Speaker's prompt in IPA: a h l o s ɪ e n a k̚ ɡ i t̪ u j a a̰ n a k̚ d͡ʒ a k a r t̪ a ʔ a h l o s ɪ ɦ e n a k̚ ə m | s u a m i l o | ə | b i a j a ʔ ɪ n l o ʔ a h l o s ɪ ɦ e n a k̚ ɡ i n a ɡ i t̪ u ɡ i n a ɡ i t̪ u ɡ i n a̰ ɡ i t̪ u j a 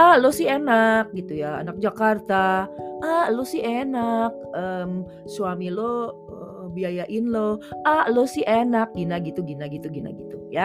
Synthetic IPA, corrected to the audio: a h l o s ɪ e n a k̚ ɡ i t̪ u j a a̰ n a k̚ d͡ʒ a k a r t̪ a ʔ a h l o s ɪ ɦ e n a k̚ ə m | s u a m i l o | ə | b i a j a ʔ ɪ n l o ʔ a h l o s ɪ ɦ e n a k̚ ɡ i n a ɡ i t̪ u ɡ i n a ɡ i t̪ u ɡ i n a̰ ɡ i t̪ u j a